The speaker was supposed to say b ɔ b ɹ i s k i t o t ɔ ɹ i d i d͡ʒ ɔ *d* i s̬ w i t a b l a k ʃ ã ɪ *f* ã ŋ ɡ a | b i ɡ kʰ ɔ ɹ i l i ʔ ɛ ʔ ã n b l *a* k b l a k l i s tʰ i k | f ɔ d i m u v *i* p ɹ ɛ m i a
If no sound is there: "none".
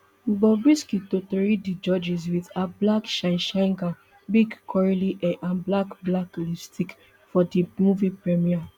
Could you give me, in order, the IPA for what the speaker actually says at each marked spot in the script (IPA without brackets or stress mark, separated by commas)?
d͡ʒ, ʃ, a, i